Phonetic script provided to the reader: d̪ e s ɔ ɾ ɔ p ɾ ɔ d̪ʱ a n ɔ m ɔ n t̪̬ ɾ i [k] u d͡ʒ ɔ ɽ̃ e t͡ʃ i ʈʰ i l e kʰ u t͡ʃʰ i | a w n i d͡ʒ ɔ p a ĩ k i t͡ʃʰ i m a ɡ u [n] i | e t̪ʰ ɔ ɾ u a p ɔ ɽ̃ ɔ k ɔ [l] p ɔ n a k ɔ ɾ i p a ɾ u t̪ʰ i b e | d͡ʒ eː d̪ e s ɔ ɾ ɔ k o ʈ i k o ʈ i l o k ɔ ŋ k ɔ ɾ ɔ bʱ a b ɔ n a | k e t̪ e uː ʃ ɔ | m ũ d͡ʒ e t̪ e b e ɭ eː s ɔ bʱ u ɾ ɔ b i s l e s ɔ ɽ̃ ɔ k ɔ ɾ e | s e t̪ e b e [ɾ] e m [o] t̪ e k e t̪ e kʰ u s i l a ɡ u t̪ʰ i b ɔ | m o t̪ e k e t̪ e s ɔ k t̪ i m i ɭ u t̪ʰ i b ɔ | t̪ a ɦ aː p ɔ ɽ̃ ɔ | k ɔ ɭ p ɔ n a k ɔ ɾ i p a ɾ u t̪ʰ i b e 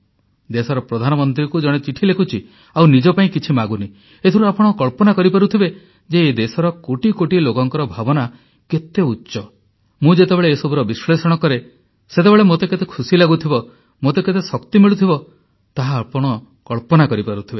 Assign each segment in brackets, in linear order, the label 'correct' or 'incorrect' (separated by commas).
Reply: correct, correct, incorrect, incorrect, correct